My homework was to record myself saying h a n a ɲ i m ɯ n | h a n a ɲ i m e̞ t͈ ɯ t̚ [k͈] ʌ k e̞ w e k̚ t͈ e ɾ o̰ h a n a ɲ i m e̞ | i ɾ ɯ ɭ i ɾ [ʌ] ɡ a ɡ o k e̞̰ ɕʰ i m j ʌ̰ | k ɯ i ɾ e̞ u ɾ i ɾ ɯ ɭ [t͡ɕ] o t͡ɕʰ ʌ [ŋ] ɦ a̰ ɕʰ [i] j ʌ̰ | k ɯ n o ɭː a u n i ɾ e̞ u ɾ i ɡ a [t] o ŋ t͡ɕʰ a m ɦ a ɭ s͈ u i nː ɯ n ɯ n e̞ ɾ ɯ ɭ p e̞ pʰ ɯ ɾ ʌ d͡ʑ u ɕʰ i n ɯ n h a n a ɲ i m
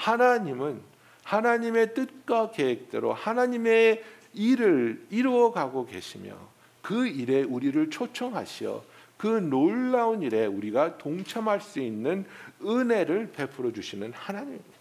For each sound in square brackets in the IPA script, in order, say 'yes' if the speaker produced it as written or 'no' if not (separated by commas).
yes, yes, no, yes, yes, yes